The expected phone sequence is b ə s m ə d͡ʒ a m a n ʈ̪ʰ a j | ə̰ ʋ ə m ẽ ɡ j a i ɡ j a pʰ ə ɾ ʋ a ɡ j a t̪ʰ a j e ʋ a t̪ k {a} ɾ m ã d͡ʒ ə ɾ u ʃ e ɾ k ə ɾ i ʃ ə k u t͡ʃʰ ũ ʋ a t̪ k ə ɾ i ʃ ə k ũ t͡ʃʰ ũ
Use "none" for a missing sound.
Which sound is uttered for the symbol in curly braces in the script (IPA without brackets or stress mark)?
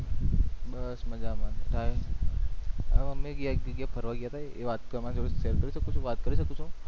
ə